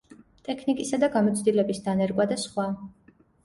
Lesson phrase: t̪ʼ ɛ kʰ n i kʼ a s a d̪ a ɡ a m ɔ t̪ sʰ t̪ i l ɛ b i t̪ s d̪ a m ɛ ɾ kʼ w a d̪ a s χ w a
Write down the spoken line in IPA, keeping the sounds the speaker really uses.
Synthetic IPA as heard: t̪ʼ ɛ kʰ n i kʼ i s a d̪ a ɡ a m ɔ t̪ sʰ d̪ i l ɛ b i s d̪ a n ɛ ɾ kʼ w a d̪ a s χ w a